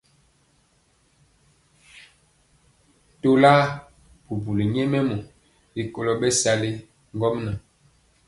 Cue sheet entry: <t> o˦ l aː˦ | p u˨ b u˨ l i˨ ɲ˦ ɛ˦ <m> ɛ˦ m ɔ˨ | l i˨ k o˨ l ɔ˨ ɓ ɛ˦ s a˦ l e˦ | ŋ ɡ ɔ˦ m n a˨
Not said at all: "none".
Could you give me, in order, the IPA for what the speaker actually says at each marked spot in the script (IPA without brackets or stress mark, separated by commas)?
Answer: t, m